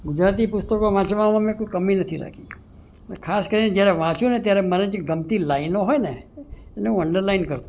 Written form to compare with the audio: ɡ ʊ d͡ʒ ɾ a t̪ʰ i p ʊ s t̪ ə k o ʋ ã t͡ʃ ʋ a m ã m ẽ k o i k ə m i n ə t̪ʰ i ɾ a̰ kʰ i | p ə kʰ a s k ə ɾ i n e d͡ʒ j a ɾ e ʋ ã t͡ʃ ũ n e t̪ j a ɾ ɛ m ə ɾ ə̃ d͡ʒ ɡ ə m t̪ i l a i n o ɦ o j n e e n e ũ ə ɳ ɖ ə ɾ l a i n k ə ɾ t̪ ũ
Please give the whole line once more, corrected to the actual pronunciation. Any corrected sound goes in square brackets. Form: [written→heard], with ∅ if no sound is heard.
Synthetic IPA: ɡ ʊ d͡ʒ ɾ a [t̪ʰ→t̪] i p ʊ s t̪ ə k o ʋ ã t͡ʃ ʋ a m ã m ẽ k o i k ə m i n ə t̪ʰ i ɾ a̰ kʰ i | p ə kʰ a s k ə ɾ i n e d͡ʒ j a ɾ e ʋ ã t͡ʃ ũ n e t̪ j a ɾ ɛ m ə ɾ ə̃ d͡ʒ ɡ ə m t̪ i l a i n o ɦ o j n e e n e ũ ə ɳ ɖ ə ɾ l a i n k ə ɾ t̪ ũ